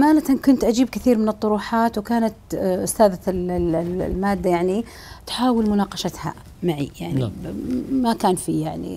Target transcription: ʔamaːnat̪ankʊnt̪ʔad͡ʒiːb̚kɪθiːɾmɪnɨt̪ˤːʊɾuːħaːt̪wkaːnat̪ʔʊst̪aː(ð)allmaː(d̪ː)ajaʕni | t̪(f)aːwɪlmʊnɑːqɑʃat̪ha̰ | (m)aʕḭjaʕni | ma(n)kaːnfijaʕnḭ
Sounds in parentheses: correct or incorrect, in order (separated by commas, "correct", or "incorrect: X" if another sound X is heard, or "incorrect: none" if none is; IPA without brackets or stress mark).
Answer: correct, correct, incorrect: ħ, correct, incorrect: none